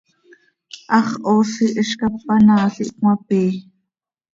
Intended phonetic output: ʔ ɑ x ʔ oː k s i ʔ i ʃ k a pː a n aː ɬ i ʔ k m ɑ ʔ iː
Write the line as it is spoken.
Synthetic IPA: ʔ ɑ χ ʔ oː s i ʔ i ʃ k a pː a n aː ɬ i ʔ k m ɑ p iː